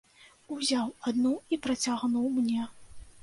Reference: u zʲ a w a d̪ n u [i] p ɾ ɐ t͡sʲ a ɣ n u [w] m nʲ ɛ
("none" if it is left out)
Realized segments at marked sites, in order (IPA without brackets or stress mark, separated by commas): i, w